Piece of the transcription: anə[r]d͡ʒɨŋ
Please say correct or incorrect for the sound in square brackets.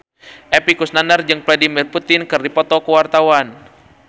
correct